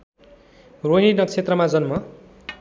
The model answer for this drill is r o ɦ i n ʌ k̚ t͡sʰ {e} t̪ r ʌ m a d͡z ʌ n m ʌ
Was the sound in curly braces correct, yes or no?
yes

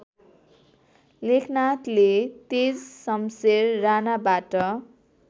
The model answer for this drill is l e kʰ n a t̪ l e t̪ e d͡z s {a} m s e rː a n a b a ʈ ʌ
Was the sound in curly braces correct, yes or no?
no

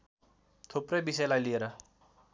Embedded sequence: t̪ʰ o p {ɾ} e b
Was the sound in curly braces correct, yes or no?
yes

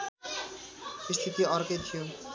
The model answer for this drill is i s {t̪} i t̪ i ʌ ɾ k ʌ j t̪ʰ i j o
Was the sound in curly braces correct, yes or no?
no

